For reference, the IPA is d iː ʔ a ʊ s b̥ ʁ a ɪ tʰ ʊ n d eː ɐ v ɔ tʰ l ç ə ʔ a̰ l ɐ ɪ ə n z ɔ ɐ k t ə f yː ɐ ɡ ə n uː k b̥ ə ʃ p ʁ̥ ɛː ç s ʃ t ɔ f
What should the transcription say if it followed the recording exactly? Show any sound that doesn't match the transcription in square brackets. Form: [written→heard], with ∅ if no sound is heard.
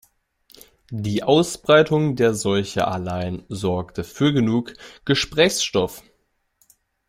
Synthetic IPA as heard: d iː ʔ a ʊ s b̥ ʁ a ɪ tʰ ʊ [n→ŋ] d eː ɐ [v→z] ɔ [tʰ→∅] l ç ə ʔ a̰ l [ɐ→a] ɪ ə n z ɔ ɐ k t ə f yː ɐ ɡ ə n uː k [b̥→ɡ̥] ə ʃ p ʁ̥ ɛː ç s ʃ t ɔ f